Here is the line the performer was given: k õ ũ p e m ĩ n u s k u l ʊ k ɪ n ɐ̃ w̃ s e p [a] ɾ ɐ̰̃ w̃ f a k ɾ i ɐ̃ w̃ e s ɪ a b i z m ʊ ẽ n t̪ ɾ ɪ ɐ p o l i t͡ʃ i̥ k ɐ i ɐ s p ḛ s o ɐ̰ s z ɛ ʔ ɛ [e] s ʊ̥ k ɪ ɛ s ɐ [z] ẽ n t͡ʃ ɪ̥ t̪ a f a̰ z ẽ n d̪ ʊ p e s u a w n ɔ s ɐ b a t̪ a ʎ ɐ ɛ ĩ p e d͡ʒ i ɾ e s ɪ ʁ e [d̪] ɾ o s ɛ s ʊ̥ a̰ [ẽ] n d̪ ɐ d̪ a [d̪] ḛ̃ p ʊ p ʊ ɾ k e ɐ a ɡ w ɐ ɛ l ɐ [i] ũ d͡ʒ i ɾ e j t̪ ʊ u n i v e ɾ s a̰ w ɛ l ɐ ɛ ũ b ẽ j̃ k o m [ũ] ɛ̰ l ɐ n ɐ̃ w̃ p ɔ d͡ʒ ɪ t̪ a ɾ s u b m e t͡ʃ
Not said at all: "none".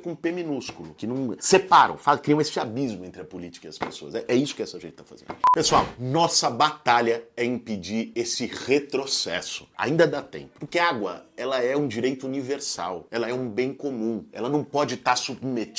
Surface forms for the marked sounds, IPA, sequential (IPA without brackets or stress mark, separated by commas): a, i, ʒ, t̪, ĩ, t̪, ɛ, ũ